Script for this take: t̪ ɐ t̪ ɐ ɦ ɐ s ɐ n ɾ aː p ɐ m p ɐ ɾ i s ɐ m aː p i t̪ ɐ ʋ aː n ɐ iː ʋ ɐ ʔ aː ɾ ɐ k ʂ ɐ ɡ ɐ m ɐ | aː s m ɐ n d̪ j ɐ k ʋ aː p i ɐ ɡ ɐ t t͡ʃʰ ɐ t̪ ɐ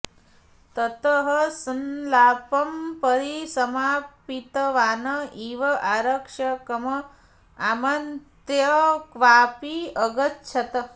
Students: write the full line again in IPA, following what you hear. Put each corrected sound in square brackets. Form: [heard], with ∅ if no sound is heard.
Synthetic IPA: t̪ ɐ t̪ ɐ ɦ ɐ s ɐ n [l] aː p ɐ m p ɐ ɾ i s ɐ m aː p i t̪ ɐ ʋ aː n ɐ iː ʋ ɐ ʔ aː ɾ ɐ k ʂ ɐ [k] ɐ m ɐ | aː [∅] m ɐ n [t̪] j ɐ k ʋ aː p i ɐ ɡ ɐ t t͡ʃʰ ɐ t̪ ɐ